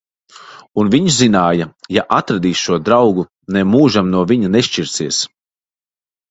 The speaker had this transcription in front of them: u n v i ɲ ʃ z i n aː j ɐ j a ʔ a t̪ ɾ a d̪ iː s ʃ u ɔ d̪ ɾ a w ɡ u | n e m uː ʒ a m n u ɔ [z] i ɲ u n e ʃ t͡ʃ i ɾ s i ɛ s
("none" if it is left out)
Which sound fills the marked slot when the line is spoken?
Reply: v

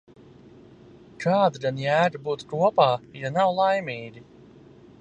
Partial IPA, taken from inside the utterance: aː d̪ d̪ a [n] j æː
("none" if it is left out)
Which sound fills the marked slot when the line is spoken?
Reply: n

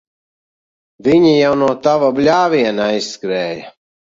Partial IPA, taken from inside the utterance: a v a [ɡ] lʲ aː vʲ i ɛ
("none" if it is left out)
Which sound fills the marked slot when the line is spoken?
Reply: b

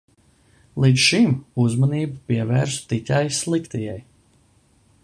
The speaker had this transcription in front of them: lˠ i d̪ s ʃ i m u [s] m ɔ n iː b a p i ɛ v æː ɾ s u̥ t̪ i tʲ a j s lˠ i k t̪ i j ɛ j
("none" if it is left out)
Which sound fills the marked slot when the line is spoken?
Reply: z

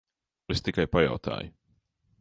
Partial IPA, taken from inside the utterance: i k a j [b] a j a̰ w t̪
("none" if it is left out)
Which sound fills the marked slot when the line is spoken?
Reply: p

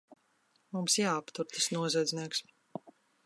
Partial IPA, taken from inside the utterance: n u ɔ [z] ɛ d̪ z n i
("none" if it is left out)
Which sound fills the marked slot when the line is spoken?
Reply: z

